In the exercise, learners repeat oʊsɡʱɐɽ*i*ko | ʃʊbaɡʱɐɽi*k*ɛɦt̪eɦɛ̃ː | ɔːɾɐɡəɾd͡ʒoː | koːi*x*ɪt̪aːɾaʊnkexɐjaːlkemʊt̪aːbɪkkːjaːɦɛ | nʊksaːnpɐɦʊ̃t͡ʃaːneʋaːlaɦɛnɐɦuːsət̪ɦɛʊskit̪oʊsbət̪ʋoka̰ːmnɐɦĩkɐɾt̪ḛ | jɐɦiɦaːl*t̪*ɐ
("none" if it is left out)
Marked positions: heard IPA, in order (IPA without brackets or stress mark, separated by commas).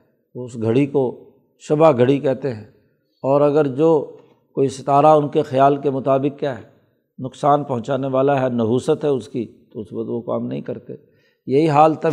i, k, s, t̪